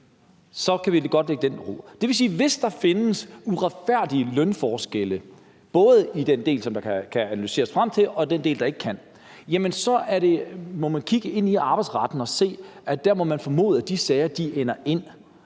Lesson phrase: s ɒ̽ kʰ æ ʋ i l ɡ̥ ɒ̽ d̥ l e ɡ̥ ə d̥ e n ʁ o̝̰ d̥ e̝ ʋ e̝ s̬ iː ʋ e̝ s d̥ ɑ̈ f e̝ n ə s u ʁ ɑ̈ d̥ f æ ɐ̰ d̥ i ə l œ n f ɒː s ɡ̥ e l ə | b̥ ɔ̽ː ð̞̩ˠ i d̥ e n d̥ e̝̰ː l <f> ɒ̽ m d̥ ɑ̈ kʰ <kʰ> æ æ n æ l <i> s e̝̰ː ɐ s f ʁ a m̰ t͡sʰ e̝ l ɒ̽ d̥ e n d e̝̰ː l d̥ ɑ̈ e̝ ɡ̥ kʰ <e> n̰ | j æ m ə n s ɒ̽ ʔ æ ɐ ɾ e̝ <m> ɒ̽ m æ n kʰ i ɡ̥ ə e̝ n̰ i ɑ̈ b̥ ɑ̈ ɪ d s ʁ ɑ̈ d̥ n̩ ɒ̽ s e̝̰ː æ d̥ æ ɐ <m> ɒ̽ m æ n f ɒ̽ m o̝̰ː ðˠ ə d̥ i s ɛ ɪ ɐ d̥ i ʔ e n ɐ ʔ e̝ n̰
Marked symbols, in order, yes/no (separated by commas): no, yes, no, no, yes, yes